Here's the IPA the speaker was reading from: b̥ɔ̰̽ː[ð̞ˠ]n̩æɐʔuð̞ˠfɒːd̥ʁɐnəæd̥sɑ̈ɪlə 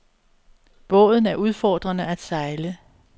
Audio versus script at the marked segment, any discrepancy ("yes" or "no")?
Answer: no